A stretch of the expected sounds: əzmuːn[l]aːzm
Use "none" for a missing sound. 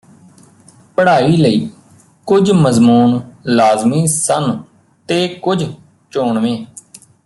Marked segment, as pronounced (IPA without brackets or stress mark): l